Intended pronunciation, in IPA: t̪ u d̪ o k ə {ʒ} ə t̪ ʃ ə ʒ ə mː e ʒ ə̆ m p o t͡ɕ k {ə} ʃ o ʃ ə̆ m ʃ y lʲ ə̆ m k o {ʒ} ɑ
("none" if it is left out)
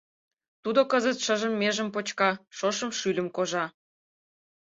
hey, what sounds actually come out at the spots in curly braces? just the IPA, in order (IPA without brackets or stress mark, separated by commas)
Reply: z, ɑ, ʒ